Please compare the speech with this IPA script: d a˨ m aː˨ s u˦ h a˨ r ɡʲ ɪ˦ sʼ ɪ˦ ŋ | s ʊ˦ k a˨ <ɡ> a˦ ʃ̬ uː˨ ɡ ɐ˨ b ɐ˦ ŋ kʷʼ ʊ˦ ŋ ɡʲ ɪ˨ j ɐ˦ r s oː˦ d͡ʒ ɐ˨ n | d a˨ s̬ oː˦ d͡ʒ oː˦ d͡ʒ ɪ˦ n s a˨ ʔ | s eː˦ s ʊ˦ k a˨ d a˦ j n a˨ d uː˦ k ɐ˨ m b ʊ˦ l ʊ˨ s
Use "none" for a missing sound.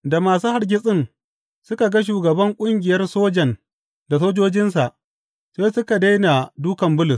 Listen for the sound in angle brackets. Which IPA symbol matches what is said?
ɡ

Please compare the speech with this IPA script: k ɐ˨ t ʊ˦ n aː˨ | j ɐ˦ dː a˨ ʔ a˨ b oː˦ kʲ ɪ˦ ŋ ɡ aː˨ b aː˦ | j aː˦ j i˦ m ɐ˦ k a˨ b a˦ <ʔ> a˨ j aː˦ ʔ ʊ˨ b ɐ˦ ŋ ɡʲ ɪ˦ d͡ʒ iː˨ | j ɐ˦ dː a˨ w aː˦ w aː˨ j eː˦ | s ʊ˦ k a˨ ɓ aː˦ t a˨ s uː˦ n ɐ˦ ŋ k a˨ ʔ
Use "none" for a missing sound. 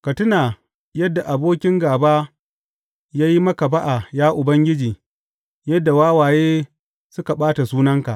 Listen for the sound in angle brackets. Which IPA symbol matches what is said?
ʔ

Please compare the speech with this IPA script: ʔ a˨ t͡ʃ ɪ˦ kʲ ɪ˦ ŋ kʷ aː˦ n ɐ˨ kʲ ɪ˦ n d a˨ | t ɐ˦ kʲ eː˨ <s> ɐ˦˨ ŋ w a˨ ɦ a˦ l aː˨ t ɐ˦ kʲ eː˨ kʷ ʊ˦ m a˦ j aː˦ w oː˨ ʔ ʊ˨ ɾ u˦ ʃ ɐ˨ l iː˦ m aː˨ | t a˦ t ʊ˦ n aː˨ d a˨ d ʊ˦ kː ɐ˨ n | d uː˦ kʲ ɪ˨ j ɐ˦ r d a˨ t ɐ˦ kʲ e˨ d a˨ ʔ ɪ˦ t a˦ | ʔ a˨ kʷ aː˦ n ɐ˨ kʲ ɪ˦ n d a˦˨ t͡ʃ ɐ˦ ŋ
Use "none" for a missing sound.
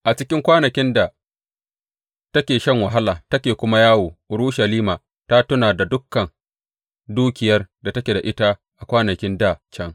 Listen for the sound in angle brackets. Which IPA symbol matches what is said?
ʃ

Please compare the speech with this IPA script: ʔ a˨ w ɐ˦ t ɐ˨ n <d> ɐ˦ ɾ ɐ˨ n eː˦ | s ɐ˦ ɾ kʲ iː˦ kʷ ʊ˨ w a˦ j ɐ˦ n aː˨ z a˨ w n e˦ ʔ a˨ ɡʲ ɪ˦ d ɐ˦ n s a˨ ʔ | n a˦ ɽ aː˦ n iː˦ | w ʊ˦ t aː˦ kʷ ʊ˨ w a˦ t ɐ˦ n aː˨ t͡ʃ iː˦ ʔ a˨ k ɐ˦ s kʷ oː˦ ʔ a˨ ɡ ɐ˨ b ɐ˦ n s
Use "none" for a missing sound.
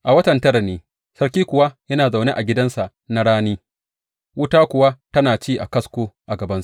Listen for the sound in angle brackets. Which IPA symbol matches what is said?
t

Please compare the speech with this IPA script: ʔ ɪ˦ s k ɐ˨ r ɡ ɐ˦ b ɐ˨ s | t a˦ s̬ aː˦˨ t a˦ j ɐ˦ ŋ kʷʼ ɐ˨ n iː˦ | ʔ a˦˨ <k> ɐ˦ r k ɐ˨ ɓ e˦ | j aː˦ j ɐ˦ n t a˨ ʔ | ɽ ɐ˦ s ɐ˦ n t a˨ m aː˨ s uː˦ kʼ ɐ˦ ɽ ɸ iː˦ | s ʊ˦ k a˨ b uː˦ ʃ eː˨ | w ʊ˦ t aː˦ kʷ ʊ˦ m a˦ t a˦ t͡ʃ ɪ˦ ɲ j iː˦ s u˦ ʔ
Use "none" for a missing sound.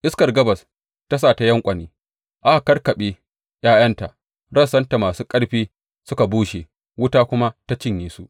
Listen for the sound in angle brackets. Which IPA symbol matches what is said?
k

